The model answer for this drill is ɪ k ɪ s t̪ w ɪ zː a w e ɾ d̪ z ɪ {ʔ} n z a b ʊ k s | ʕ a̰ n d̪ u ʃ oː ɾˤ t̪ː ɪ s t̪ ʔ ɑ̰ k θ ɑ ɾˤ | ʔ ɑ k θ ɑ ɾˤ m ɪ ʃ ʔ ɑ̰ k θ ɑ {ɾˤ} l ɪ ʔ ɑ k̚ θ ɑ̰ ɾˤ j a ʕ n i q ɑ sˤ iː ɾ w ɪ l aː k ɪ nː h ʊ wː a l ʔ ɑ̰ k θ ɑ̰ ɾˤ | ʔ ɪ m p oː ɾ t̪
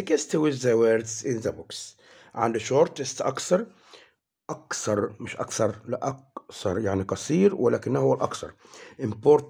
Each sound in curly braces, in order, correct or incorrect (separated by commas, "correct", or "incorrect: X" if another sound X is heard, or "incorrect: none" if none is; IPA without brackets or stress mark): incorrect: none, correct